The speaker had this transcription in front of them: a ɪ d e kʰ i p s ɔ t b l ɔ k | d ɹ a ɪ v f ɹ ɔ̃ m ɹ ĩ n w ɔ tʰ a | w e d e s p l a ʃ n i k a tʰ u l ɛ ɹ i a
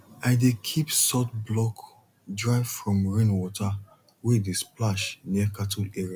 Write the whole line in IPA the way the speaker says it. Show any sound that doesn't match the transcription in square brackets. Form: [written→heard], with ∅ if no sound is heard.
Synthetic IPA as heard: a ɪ d e kʰ i p s ɔ t b l ɔ k | d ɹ a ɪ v f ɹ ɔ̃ m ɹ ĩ n w ɔ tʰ a | w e d e s p l a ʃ n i k a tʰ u l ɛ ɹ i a